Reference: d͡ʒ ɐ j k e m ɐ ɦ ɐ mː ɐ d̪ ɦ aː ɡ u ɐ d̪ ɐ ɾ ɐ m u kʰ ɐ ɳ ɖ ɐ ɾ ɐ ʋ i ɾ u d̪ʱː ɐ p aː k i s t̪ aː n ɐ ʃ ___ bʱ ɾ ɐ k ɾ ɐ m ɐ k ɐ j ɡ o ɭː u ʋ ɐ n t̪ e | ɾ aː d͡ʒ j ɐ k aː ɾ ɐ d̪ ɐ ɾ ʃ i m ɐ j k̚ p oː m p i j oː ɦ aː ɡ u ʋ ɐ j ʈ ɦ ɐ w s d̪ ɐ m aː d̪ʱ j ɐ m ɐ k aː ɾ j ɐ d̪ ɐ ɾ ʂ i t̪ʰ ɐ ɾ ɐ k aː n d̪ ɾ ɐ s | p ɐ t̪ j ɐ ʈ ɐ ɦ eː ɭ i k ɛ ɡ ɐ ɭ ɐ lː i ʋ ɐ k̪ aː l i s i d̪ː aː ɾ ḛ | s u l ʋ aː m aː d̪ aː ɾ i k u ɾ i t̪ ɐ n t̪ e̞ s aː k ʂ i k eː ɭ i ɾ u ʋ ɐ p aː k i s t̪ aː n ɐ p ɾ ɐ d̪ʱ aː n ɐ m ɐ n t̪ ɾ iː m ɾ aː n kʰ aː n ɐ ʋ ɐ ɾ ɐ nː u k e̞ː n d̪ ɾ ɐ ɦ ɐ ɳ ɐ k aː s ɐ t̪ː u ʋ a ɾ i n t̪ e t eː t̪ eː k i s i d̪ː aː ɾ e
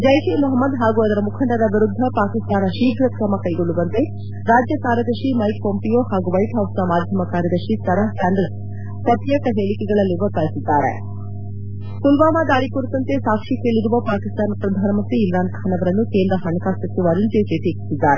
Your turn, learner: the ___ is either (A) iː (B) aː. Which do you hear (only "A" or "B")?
A